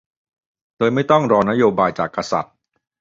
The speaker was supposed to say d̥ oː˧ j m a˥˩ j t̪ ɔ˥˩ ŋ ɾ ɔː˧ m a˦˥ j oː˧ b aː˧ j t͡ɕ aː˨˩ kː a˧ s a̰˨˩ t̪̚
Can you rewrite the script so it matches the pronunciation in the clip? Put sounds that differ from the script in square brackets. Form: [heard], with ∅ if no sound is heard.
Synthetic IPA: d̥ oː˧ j m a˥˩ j t̪ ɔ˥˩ ŋ ɾ ɔː˧ [n] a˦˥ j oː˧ b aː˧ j t͡ɕ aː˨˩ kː a˧ s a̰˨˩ t̪̚